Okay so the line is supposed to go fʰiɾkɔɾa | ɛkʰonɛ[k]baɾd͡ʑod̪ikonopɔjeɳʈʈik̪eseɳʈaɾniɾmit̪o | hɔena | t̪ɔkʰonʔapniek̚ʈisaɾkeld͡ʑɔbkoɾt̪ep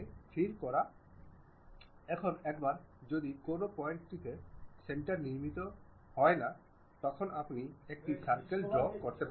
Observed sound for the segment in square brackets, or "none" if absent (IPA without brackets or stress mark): k